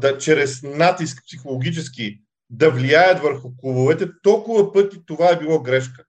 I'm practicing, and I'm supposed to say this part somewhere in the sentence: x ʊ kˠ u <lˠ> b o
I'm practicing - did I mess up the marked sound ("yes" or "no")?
yes